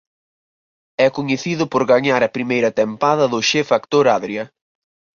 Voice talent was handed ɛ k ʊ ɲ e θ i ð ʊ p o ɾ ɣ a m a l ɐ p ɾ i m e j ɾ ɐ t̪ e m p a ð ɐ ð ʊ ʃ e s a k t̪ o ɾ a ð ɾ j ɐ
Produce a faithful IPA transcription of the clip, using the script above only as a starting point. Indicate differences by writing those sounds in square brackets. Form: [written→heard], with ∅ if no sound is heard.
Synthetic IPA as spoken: ɛ k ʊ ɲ e θ i ð ʊ p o ɾ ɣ a [m→ɲ] a [l→ɾ] ɐ p ɾ i m e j ɾ ɐ t̪ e m p a ð ɐ ð ʊ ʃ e [s→f] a k t̪ o ɾ a ð ɾ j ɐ